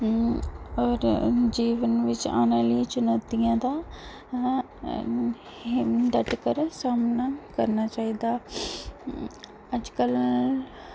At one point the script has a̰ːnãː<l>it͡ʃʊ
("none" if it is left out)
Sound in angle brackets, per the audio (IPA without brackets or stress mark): l